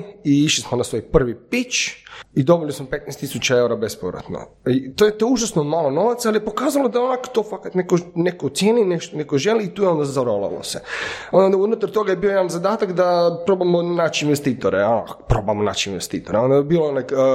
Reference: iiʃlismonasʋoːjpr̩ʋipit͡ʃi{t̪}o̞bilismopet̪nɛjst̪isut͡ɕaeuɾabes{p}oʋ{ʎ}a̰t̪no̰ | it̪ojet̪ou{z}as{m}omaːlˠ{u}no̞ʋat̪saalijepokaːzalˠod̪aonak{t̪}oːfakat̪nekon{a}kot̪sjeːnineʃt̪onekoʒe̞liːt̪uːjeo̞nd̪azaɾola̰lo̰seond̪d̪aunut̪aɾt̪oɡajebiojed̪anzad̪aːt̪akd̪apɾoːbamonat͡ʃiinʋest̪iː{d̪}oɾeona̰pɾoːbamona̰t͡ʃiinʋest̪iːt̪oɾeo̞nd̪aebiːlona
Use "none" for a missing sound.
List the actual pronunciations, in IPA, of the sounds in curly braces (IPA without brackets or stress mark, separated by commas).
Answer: d̪, p, ɾ, ʒ, n, o, t̪, e, t̪